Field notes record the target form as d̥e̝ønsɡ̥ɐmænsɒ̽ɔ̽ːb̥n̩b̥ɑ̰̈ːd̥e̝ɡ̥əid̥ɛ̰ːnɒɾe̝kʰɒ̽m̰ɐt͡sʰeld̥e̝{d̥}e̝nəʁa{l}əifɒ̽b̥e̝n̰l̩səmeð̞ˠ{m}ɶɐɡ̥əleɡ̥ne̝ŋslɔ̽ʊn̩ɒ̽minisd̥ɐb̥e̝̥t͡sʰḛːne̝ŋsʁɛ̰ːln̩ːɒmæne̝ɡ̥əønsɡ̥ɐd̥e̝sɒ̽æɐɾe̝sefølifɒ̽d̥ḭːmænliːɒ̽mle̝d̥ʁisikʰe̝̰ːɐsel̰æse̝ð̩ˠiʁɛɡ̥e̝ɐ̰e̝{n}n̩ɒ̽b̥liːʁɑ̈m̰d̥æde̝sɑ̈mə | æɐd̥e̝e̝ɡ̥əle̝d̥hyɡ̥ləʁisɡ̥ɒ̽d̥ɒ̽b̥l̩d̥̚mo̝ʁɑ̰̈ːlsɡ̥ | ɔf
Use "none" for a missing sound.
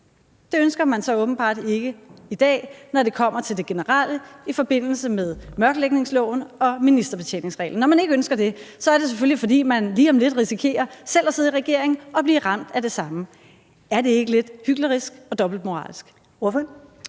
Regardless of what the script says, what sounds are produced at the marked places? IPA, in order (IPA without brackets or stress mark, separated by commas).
ɡ̥, l, m, ŋ